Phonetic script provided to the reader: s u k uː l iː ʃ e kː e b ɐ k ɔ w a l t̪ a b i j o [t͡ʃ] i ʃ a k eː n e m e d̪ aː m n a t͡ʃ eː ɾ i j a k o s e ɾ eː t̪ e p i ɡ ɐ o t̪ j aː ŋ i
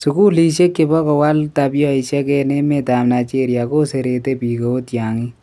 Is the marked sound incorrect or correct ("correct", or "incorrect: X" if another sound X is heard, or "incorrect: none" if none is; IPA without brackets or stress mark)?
incorrect: none